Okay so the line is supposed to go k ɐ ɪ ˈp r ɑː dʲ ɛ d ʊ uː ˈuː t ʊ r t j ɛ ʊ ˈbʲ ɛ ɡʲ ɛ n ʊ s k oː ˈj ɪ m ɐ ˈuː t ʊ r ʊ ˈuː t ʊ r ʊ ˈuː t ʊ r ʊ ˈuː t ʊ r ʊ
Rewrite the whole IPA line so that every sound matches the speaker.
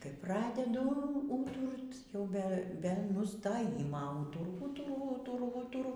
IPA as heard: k ɐ ɪ ˈp r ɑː dʲ ɛ d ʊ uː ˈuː t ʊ r t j ɛ ʊ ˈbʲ ɛ bʲ ɛ n ʊ s t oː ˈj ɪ m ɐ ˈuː t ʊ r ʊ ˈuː t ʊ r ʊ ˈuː t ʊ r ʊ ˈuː t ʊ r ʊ